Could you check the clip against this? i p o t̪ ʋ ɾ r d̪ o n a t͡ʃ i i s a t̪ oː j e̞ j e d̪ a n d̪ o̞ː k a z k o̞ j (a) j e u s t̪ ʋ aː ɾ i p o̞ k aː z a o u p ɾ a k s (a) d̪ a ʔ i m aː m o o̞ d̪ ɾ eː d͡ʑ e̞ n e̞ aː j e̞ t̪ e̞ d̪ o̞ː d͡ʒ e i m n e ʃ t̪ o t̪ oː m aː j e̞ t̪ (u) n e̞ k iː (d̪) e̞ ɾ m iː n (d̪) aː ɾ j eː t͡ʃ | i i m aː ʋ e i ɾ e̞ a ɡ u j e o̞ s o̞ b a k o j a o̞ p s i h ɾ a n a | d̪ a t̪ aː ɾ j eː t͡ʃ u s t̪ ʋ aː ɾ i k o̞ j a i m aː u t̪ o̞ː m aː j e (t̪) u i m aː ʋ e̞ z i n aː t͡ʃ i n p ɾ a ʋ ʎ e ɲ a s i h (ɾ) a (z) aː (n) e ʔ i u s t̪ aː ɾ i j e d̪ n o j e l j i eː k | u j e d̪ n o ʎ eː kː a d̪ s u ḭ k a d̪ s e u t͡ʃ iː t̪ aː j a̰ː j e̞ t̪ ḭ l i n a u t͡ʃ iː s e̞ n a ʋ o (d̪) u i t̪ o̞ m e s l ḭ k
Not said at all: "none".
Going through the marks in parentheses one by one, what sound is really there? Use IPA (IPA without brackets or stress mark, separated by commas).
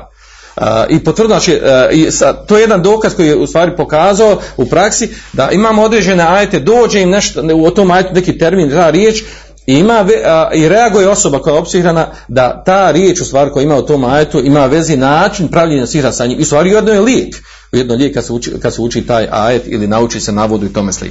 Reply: i, i, u, t̪, t̪, t̪, ɾ, s, ɲ, d̪